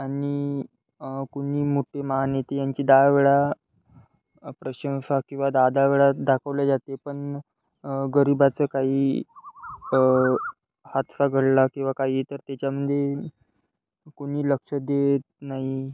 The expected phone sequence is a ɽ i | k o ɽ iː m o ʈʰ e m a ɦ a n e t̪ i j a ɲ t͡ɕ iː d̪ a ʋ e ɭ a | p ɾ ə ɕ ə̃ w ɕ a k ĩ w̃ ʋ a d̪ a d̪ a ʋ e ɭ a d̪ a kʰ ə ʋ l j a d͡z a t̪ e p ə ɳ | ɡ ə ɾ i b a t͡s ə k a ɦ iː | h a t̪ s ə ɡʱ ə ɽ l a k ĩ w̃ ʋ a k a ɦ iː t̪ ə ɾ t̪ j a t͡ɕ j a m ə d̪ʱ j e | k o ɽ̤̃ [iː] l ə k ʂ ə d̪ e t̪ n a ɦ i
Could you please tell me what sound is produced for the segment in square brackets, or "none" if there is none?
iː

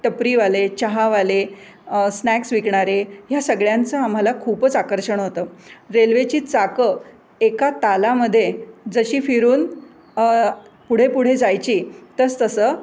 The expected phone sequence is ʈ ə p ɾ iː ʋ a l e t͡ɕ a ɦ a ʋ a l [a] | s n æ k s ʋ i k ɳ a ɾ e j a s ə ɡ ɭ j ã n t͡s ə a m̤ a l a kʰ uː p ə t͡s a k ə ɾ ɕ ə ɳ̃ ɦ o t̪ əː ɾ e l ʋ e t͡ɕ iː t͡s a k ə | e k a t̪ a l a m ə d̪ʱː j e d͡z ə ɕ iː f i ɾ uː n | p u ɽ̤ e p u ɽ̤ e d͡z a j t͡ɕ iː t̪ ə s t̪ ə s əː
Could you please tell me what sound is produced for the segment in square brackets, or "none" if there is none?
e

